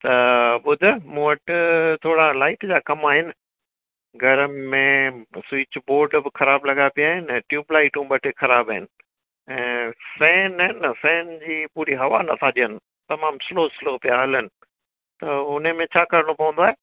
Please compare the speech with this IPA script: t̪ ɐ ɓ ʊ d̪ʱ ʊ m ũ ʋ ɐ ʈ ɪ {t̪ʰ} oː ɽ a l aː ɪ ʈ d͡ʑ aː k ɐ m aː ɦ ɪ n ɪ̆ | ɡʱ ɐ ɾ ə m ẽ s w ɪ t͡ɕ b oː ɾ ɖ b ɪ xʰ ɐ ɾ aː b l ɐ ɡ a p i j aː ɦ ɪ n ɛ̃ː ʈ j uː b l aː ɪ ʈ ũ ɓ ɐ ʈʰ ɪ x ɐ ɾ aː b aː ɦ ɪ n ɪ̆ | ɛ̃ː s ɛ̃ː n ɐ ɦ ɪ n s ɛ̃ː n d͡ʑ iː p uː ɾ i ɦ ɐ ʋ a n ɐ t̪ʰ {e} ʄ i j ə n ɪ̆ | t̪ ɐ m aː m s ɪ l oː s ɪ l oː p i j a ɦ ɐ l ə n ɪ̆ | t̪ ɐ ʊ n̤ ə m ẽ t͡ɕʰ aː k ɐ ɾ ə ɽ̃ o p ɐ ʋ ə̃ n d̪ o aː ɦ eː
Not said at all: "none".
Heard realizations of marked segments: t̪ʰ, a

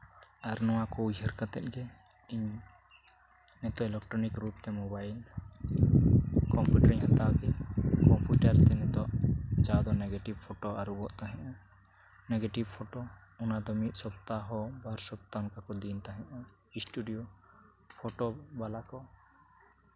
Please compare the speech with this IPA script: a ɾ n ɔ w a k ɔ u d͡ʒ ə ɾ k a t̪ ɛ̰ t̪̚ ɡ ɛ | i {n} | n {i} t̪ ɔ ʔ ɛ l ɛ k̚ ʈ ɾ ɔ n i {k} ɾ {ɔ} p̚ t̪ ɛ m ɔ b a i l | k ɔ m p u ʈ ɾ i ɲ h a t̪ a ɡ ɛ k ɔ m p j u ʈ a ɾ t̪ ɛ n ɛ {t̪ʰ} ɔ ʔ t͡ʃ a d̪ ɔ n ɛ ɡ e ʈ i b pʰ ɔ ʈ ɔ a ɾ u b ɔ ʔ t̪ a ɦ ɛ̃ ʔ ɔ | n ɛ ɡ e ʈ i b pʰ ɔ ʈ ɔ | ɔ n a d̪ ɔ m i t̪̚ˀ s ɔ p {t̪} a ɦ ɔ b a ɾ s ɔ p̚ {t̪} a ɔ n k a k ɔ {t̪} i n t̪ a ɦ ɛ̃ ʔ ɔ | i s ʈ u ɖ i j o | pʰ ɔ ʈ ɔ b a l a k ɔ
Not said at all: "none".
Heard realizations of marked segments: ɲ, ɛ, k, u, t̪, t̪, t̪, d̪

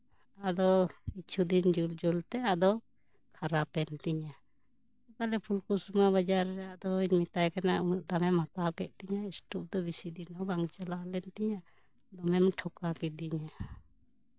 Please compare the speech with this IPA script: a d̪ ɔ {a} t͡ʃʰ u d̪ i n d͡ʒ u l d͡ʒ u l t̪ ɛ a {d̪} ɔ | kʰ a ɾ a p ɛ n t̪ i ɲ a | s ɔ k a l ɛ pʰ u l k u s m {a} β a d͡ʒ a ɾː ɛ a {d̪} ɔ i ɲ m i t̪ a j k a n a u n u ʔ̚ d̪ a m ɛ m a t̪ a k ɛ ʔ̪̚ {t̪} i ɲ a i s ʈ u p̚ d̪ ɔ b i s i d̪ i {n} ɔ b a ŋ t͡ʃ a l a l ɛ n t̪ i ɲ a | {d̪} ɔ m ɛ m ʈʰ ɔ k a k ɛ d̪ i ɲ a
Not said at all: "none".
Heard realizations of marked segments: i, d̪, a, d̪, t̪, n, d̪

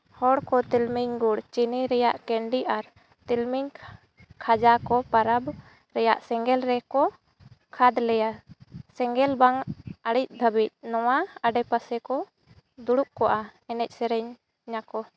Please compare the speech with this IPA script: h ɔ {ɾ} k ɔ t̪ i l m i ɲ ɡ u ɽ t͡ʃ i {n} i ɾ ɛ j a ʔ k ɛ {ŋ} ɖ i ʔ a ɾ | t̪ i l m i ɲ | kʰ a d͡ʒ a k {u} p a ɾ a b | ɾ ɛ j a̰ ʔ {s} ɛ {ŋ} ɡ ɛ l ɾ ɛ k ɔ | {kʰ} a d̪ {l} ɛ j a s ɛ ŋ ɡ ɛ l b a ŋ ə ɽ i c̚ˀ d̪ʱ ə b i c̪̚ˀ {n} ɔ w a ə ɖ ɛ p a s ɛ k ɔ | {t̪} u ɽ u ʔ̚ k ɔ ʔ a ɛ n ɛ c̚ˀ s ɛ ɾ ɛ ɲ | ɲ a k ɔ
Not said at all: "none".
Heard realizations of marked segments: ɽ, n, ɳ, ɔ, s, ŋ, kʰ, l, n, d̪

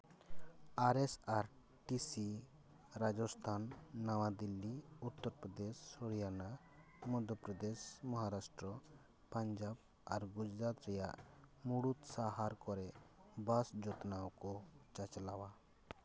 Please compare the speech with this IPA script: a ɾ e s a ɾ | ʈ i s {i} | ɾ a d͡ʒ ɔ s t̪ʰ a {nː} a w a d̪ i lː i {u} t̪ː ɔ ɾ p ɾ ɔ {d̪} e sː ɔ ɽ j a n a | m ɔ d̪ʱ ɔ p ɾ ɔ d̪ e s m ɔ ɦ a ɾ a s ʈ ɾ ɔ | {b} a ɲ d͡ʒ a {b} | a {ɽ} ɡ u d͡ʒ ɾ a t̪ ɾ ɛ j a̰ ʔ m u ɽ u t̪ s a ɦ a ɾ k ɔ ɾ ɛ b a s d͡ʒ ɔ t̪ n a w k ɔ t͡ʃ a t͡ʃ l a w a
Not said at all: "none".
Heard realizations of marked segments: i, nː, u, d̪, p, b, ɾ

